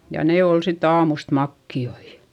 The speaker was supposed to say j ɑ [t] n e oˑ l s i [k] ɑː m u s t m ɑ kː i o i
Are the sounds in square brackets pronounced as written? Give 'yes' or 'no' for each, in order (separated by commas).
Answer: no, no